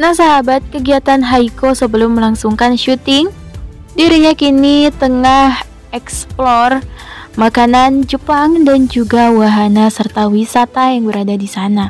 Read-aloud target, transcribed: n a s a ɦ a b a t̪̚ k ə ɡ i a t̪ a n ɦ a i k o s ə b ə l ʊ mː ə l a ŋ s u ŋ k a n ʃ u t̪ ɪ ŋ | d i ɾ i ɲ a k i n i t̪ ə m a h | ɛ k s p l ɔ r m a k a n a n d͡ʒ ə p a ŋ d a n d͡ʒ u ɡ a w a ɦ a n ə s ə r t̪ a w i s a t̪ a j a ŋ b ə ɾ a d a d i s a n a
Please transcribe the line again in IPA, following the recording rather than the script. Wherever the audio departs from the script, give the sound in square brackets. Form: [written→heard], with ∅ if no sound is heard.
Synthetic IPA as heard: n a s a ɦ a b a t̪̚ k ə ɡ i a t̪ a n ɦ a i k o s ə b ə l ʊ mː ə l a ŋ s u ŋ k a n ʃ u t̪ ɪ ŋ | d i ɾ i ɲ a k i n i t̪ ə [m→ŋ] a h | ɛ k s p l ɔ r m a k a n a n d͡ʒ ə p a ŋ d a n d͡ʒ u ɡ a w a ɦ a n [ə→a] s ə r t̪ a w i s a t̪ a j a ŋ b ə ɾ a d a d i s a n a